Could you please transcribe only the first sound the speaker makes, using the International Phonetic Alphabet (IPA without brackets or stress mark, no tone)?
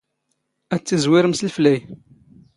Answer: æ